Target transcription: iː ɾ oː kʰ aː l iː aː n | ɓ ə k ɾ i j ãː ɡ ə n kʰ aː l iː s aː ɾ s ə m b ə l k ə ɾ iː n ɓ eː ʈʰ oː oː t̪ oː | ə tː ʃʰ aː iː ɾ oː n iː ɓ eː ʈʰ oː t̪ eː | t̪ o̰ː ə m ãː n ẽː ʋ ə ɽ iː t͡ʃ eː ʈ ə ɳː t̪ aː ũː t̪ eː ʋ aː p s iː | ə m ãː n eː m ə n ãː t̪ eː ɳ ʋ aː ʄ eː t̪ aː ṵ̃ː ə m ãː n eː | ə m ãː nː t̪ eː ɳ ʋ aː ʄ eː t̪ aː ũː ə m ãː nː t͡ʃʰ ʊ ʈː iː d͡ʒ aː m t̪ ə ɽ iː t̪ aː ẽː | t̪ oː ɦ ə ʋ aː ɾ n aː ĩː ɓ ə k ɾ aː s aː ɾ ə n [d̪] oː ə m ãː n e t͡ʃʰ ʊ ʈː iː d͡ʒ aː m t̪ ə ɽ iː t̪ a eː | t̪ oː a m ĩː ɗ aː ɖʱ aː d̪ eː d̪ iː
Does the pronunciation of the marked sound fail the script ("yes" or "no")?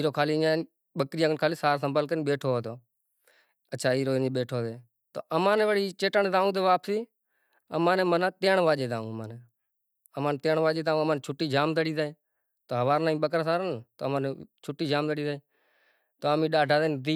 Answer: yes